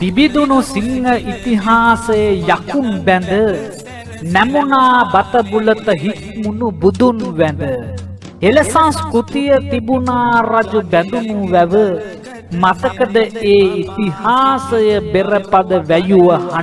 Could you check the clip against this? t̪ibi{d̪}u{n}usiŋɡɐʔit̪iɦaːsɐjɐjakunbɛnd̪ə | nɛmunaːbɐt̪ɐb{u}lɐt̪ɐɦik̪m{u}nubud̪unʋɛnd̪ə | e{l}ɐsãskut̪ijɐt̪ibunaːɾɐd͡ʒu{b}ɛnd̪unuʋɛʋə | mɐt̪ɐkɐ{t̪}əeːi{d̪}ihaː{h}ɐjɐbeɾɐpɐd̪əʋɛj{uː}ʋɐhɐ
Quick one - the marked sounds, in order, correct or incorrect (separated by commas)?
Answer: correct, correct, correct, correct, correct, correct, incorrect, incorrect, incorrect, incorrect